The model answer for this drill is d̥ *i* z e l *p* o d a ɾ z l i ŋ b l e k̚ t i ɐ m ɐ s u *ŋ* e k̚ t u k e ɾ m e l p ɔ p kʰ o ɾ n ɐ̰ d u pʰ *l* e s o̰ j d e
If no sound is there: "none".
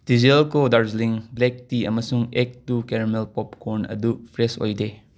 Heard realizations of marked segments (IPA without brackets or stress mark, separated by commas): i, k, ŋ, ɾ